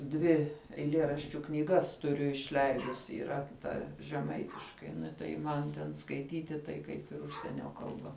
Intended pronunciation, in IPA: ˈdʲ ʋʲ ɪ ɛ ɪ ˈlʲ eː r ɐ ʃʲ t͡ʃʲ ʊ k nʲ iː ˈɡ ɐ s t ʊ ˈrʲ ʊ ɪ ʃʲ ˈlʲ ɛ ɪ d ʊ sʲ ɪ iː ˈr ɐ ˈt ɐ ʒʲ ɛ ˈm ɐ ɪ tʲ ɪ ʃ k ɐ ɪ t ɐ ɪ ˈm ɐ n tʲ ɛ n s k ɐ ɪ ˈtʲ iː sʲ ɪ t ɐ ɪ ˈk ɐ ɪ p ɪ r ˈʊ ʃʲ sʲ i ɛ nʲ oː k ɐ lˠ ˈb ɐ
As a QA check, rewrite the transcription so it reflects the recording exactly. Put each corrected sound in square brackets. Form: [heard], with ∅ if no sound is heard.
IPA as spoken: ˈdʲ ʋʲ ɪ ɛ ɪ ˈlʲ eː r ɐ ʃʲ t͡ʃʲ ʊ k nʲ iː ˈɡ ɐ s t ʊ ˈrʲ ʊ ɪ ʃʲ ˈlʲ ɛ ɪ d ʊ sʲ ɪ iː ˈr ɐ ˈt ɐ ʒʲ ɛ ˈm ɐ ɪ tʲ ɪ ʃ k ɐ ɪ t ɐ ɪ ˈm ɐ n tʲ ɛ n s k ɐ ɪ ˈtʲ iː [tʲ] ɪ t ɐ ɪ ˈk ɐ ɪ p ɪ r ˈʊ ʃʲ sʲ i ɛ nʲ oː k ɐ lˠ ˈb ɐ